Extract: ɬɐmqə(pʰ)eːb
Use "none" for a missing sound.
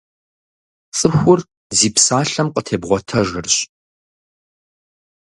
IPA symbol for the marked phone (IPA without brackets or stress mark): tʰ